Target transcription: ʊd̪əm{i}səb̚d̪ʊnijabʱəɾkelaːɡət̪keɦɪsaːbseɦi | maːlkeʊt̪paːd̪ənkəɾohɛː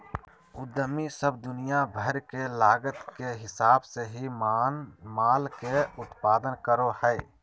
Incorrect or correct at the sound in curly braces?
correct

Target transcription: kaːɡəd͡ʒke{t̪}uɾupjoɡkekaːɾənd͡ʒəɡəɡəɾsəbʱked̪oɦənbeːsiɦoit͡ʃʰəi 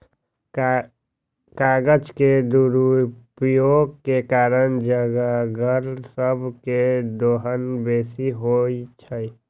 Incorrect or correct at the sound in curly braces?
incorrect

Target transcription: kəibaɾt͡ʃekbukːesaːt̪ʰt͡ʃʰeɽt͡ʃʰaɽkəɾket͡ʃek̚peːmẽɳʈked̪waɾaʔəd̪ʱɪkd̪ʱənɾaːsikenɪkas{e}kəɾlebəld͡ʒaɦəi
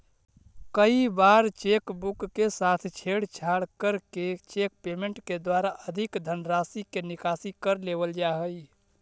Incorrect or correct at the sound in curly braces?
incorrect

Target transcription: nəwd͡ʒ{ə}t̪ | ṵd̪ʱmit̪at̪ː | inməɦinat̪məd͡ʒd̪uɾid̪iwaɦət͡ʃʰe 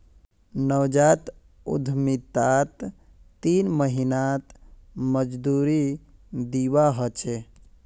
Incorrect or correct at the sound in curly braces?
incorrect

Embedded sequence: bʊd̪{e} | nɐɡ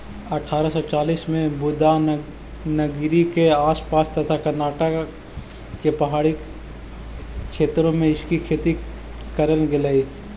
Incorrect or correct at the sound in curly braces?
incorrect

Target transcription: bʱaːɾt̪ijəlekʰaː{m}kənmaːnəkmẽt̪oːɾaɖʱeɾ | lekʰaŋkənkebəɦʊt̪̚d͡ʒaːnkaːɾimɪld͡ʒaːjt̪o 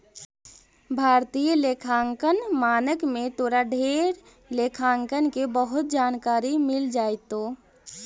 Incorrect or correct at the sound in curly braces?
incorrect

